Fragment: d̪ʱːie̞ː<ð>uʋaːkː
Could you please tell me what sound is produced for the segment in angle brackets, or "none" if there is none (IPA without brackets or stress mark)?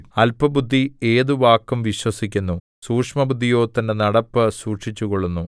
ð